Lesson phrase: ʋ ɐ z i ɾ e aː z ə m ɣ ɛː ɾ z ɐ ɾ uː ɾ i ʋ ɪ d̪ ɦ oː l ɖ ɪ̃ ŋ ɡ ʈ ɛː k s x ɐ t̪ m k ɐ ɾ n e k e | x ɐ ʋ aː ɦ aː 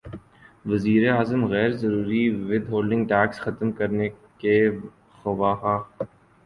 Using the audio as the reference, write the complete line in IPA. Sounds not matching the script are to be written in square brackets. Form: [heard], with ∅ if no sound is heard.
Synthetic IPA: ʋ ɐ z [iː] ɾ e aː z ə m ɣ ɛː ɾ z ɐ ɾ uː ɾ i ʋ ɪ d̪ ɦ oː l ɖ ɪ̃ ŋ ɡ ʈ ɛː k s x ɐ t̪ m k ɐ ɾ n e k e | x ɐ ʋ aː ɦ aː